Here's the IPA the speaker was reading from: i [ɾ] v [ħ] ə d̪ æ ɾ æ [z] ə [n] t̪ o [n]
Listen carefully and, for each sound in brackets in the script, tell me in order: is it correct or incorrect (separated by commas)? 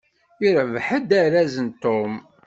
correct, correct, correct, correct, incorrect